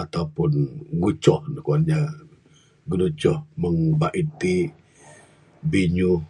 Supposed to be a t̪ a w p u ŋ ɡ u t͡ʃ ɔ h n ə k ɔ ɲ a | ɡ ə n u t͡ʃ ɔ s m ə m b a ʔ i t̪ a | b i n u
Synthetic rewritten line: a t̪ a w p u n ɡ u t͡ʃ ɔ h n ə k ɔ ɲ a | ɡ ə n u t͡ʃ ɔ h m ə ŋ b a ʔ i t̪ i | b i ɲ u